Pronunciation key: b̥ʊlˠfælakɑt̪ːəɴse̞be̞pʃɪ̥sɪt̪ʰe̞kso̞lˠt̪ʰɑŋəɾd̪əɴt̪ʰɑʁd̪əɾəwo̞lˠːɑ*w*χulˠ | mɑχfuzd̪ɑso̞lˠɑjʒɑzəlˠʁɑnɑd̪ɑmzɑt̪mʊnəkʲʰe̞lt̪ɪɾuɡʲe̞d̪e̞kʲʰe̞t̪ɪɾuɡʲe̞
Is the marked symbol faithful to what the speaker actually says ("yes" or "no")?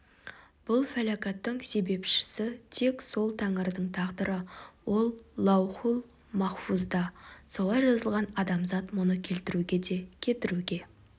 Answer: yes